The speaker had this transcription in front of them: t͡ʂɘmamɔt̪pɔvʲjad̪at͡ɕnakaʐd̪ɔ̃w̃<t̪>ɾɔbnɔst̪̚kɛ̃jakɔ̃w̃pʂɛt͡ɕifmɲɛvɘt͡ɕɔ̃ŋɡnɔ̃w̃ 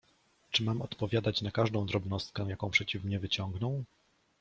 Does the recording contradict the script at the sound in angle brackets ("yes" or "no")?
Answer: yes